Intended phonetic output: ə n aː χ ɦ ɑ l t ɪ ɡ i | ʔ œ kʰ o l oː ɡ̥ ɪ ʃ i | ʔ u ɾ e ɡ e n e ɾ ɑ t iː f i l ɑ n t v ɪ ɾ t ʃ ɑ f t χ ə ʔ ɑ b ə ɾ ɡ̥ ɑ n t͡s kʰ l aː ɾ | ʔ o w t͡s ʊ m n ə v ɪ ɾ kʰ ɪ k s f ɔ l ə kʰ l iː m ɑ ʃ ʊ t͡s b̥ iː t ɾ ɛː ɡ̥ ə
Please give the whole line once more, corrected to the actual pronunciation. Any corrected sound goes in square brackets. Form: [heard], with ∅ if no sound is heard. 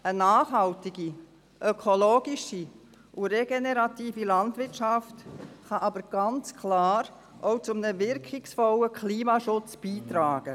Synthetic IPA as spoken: ə n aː χ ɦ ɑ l t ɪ ɡ i | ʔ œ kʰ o l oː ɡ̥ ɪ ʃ i | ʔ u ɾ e ɡ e n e ɾ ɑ t iː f i l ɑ n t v ɪ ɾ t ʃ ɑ f t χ [ɑ] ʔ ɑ b ə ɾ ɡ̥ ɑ n t͡s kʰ l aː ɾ | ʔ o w t͡s ʊ m n ə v ɪ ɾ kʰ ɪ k s f ɔ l ə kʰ l iː m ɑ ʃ ʊ t͡s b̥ iː t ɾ [aː] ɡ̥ ə